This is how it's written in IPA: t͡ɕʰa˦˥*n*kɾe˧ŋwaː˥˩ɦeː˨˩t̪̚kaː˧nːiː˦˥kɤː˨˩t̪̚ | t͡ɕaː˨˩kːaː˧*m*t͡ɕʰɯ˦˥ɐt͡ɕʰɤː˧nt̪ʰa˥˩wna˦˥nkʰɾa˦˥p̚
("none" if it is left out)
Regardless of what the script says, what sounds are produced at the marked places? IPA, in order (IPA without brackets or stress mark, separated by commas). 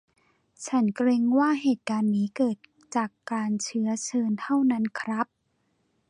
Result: n, n